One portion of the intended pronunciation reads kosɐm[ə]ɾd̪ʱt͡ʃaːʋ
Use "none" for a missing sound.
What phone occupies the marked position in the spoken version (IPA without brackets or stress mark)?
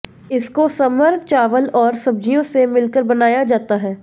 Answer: ə